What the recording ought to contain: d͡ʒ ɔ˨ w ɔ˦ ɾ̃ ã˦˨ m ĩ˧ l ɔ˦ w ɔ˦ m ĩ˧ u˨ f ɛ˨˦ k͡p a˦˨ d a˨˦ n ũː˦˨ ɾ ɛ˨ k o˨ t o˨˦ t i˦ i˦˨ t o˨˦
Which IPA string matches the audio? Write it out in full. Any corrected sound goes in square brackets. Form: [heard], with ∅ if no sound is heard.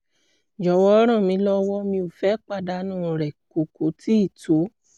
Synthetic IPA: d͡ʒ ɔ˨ w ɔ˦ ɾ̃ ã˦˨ m ĩ˧ l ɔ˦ w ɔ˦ m ĩ˧ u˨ f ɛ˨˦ k͡p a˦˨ d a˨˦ n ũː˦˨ ɾ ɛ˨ k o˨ [k] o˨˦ t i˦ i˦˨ t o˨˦